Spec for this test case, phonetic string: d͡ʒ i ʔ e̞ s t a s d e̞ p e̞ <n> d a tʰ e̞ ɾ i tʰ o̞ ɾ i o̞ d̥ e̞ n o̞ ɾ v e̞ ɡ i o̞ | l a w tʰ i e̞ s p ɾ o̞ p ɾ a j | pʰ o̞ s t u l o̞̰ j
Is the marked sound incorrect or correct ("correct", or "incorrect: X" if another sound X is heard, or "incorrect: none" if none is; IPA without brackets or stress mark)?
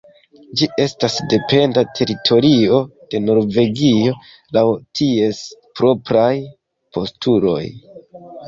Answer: correct